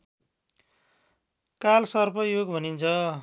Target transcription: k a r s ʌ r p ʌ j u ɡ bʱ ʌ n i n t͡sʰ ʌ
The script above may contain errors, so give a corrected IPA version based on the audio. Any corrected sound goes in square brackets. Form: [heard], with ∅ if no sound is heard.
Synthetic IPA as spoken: k a [l] s ʌ r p ʌ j [o] ɡ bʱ ʌ n i n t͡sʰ ʌ

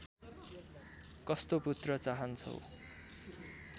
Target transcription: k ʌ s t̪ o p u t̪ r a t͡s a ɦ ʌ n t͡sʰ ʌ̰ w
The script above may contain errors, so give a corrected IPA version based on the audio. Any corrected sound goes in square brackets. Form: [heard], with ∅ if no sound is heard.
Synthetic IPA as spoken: k ʌ s t̪ o p u t̪ r [ʌ] t͡s a ɦ ʌ n t͡sʰ ʌ̰ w

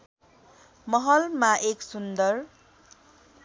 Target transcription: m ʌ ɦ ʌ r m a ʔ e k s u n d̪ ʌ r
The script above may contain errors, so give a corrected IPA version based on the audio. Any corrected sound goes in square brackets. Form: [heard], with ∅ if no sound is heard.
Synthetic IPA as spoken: m ʌ ɦ ʌ [l] m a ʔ e k s u n d̪ ʌ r

